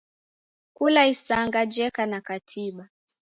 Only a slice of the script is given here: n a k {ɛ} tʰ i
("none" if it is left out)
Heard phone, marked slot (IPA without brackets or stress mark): a